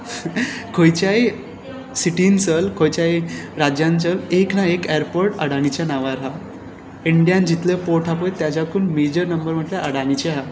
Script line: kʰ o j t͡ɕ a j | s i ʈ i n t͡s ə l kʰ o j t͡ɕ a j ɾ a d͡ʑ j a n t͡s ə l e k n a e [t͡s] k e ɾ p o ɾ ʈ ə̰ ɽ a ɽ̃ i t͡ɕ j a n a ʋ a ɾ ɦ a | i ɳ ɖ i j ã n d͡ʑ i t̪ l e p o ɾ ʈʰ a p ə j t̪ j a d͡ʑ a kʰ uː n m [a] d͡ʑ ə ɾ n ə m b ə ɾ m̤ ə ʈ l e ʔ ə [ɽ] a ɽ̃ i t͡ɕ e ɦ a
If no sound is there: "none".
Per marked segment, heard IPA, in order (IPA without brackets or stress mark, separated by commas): none, e, ɽ